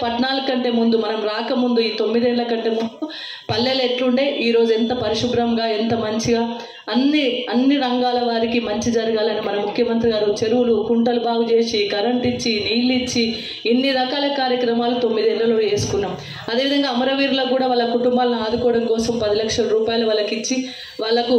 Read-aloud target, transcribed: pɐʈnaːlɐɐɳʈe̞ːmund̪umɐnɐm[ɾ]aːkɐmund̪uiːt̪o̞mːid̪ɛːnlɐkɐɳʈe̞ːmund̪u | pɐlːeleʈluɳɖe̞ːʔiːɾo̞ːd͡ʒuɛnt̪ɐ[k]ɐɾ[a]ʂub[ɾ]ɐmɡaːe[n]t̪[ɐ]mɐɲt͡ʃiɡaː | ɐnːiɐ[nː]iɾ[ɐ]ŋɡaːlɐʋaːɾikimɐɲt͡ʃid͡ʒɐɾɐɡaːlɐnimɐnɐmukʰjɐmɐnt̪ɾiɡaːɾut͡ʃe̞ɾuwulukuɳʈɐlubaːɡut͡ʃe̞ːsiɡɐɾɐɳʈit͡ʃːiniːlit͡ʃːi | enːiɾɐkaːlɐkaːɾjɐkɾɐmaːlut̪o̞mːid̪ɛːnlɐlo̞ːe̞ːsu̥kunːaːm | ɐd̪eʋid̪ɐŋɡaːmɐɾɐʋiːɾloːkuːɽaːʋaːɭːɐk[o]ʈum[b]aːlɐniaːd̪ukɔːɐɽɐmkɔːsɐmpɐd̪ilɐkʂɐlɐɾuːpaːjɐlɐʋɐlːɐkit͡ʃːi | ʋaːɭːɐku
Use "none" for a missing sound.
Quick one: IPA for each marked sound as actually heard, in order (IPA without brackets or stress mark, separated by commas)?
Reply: ɾ, p, i, ɾ, n, ɐ, nː, ɐ, u, b